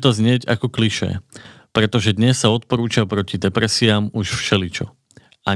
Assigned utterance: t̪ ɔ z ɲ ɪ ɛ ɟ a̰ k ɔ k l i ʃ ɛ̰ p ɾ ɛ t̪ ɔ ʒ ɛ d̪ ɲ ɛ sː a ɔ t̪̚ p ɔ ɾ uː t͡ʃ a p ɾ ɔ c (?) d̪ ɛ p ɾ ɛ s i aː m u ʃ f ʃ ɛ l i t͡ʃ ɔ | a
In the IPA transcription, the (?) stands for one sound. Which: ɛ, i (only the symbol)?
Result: i